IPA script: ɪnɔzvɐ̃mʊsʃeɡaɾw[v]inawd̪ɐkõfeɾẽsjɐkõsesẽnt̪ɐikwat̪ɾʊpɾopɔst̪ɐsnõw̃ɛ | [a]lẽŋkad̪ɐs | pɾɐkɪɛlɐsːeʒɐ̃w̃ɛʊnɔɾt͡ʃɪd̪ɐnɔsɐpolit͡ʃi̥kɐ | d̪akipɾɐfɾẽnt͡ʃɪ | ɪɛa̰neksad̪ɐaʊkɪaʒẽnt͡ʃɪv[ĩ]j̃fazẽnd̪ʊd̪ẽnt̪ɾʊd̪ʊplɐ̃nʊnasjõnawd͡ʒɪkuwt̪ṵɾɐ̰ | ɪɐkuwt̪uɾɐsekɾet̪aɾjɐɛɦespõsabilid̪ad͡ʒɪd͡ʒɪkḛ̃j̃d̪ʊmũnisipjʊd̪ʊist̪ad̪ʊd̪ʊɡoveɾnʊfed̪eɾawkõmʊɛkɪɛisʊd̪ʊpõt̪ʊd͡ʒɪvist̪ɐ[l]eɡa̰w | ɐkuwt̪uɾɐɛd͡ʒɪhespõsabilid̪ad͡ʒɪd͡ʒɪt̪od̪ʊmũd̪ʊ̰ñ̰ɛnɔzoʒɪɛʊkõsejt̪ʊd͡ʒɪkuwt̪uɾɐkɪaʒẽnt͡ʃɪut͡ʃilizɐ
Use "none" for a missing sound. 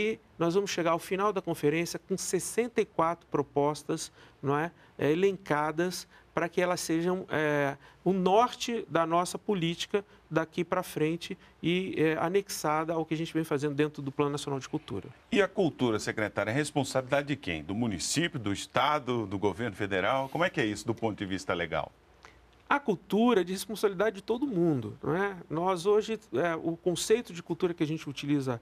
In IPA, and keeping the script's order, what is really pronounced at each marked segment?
f, e, ẽ, l

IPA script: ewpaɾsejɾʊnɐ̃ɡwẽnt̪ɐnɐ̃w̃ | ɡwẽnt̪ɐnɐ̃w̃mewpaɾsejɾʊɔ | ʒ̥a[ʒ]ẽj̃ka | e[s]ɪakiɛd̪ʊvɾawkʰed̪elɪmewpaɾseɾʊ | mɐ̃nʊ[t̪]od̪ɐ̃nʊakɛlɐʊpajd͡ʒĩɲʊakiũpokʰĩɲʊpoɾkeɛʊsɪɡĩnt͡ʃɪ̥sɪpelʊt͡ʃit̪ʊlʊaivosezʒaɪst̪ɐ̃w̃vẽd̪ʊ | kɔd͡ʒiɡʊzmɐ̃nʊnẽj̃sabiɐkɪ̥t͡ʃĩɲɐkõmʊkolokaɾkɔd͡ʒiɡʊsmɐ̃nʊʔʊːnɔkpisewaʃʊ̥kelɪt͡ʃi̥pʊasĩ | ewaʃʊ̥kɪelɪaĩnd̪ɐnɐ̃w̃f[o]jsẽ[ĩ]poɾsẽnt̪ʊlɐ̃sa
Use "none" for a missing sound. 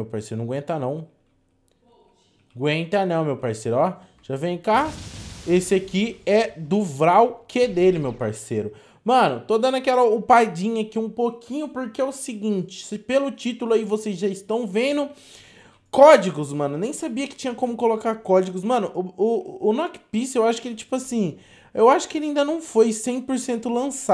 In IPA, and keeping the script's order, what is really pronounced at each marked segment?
v, s, t̪, o, j̃

